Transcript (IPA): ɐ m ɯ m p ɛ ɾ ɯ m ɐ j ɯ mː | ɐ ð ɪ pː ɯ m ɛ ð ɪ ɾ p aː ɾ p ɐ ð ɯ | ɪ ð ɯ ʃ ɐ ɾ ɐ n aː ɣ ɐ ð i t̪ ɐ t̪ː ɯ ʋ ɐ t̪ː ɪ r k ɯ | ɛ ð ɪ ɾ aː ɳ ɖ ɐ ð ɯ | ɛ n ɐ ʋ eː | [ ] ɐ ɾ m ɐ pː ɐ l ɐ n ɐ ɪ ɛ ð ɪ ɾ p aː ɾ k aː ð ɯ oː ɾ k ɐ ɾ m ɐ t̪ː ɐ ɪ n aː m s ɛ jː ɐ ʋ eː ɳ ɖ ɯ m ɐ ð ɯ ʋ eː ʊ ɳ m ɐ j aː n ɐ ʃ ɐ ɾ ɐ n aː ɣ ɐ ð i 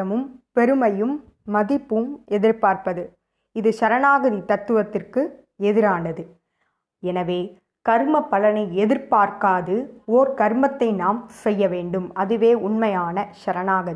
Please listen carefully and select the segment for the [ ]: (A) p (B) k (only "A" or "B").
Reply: B